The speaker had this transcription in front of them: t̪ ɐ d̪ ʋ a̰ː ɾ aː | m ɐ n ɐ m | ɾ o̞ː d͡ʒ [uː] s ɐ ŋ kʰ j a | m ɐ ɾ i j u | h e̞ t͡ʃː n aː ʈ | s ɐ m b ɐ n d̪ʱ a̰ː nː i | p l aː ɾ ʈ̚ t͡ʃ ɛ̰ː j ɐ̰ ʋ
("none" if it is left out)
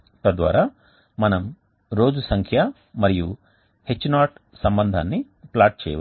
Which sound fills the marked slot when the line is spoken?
u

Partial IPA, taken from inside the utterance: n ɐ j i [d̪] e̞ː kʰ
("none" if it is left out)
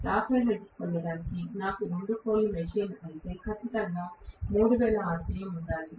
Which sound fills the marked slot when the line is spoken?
t̪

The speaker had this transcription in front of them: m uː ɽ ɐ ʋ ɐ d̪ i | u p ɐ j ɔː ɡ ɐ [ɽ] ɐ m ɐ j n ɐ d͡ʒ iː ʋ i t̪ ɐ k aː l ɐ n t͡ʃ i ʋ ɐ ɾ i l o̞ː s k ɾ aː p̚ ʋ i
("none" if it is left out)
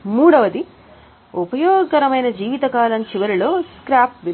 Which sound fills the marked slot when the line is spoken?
ɾ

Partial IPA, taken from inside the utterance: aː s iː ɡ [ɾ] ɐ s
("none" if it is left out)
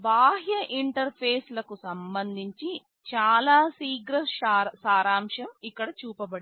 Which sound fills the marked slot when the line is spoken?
ɾ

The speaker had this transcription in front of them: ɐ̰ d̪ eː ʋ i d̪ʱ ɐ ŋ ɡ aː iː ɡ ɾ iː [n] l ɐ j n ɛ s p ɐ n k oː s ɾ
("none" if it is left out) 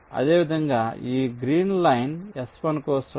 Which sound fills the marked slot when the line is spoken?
n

